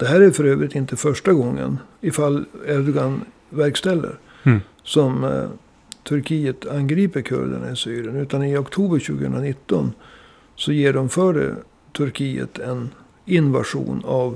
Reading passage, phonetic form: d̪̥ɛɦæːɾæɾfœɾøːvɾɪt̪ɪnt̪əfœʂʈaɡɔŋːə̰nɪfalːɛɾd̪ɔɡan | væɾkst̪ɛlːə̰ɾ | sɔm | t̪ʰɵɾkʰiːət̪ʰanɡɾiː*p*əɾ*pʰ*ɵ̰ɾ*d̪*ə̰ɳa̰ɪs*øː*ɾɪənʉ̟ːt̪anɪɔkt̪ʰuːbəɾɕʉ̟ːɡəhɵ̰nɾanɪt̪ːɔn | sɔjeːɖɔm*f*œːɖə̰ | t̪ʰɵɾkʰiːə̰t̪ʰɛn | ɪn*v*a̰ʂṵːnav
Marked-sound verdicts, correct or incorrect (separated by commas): correct, incorrect, correct, incorrect, correct, correct